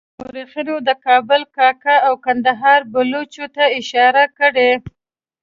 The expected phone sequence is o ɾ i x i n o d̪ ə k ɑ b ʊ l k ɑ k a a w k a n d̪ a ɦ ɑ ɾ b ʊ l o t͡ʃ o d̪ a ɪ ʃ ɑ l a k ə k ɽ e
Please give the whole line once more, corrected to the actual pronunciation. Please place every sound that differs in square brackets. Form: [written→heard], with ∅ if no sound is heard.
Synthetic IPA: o ɾ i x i n o d̪ ə k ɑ b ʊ l k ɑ k a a w k a n d̪ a ɦ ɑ ɾ b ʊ l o t͡ʃ o [d̪→t̪] a ɪ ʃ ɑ [l→ɾ] a k ə [k→∅] ɽ e